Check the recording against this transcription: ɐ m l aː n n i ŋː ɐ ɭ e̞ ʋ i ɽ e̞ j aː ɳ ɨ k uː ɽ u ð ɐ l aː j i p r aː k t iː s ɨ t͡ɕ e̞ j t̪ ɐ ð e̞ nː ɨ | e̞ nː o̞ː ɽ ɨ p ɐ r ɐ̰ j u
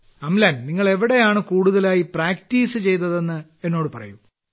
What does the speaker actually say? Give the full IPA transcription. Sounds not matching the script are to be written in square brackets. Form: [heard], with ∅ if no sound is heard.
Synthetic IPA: ɐ m l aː n n i ŋː ɐ ɭ e̞ ʋ i ɽ e̞ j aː ɳ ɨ k uː ɽ u ð ɐ l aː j i p r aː k t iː s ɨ t͡ɕ e̞ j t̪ ɐ ð e̞ nː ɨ | e̞ nː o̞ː ɽ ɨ p ɐ r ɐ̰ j u

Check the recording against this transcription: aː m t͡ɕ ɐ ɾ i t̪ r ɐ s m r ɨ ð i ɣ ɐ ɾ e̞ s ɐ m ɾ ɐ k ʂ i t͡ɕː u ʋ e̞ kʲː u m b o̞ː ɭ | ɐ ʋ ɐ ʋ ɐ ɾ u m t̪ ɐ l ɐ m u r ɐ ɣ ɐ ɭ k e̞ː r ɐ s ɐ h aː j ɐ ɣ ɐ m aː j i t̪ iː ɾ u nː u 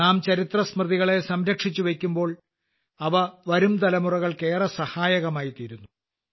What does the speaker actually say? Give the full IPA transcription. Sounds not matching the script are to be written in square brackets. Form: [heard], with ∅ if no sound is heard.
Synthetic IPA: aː m t͡ɕ ɐ ɾ i t̪ r ɐ s m r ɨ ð i ɣ ɐ [ɭ] e̞ s ɐ m ɾ ɐ k ʂ i t͡ɕː u ʋ e̞ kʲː u m b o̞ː ɭ | ɐ ʋ ɐ ʋ ɐ ɾ u m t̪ ɐ l ɐ m u r ɐ ɣ ɐ ɭ k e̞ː r ɐ s ɐ h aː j ɐ ɣ ɐ m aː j i t̪ iː ɾ u nː u

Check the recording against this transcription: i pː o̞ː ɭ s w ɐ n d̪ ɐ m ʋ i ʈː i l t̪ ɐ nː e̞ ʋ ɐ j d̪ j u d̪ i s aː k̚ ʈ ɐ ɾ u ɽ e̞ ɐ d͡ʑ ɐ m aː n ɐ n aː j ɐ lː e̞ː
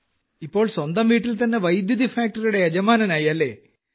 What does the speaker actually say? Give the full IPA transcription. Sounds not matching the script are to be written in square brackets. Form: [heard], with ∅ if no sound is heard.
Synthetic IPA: i pː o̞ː ɭ s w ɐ n d̪ ɐ m ʋ [iː] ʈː i l t̪ ɐ nː e̞ ʋ ɐ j d̪ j u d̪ i [f] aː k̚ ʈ ɐ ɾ u ɽ e̞ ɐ d͡ʑ ɐ m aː n ɐ n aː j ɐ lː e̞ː

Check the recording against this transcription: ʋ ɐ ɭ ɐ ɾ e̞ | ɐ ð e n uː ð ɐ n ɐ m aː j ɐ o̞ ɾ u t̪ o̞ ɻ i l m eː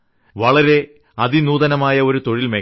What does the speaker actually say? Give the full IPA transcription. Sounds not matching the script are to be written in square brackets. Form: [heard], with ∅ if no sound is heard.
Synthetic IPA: ʋ ɐ ɭ ɐ ɾ e̞ | ɐ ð [i] n uː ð ɐ n ɐ m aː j ɐ o̞ ɾ u t̪ o̞ ɻ i l m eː

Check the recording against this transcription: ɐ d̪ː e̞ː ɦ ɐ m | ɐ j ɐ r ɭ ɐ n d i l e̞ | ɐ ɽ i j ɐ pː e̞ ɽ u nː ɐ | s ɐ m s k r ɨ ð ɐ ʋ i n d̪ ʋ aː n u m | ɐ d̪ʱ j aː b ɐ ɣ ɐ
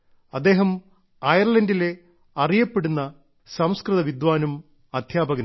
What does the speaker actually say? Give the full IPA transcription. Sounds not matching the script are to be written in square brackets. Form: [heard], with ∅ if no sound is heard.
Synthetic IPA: ɐ d̪ː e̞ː ɦ ɐ m | ɐ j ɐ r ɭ ɐ n d i l e̞ | ɐ [r] i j ɐ pː e̞ ɽ u nː ɐ | s ɐ m s k r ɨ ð ɐ ʋ i [∅] d̪ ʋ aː n u m | ɐ d̪ʱ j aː b ɐ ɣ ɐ

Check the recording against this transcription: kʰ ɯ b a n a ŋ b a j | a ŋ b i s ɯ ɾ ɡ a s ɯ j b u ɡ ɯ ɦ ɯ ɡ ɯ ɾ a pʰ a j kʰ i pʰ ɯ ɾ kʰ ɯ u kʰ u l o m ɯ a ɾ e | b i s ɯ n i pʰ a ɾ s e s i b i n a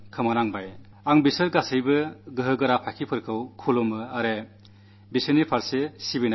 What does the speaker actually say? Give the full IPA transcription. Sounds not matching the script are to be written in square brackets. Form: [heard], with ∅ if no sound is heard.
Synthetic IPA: kʰ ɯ [m] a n a ŋ b a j | a ŋ b i s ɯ ɾ ɡ a s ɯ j b [ɯ] ɡ ɯ ɦ ɯ ɡ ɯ ɾ a pʰ a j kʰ i pʰ ɯ ɾ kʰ ɯ [w] kʰ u l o m ɯ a ɾ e | b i s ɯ n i pʰ a ɾ s e s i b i n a

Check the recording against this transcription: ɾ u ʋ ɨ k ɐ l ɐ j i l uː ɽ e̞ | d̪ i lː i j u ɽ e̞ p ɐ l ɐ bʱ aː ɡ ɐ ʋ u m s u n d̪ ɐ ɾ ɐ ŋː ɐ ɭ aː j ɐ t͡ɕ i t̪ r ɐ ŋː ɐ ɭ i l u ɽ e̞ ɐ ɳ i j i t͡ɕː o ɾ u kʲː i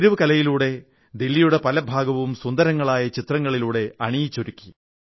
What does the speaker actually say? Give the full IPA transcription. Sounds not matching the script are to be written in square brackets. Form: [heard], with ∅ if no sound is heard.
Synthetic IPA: ɾ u ʋ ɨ k ɐ l ɐ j i l uː ɽ e̞ | d̪ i lː i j u ɽ e̞ p ɐ l ɐ bʱ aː ɡ ɐ ʋ u m s u n d̪ ɐ ɾ ɐ ŋː ɐ ɭ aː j ɐ t͡ɕ i t̪ r ɐ ŋː ɐ ɭ i l [uː] ɽ e̞ ɐ ɳ i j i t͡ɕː o ɾ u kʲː i

